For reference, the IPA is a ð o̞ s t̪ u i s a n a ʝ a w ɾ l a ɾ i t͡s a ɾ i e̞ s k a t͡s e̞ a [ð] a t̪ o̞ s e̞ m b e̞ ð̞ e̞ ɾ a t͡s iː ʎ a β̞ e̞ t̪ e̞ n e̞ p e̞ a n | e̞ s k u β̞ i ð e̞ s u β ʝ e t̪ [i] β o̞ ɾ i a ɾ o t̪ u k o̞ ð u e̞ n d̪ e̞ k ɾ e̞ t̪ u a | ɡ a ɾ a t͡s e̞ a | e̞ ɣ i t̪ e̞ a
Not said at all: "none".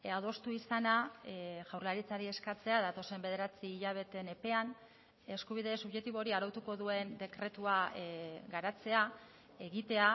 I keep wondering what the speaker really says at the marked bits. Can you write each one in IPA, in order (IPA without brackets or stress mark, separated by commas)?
ð, i